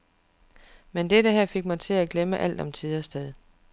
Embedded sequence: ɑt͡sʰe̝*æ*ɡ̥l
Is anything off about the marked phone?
no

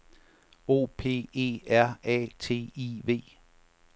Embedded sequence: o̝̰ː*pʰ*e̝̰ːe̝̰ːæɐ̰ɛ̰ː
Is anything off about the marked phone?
no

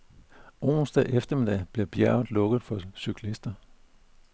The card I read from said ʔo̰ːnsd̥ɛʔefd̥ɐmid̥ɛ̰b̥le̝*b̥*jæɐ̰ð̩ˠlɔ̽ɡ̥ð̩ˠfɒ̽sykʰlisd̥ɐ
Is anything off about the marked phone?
no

